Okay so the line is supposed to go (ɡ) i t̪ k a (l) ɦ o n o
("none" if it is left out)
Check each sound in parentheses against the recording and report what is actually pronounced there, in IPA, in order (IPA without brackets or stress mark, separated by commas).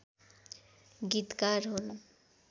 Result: ɡ, ɾ